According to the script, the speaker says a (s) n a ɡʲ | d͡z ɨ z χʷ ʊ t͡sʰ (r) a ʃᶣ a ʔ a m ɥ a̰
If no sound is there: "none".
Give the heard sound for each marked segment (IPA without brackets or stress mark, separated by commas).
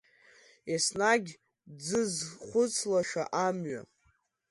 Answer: s, l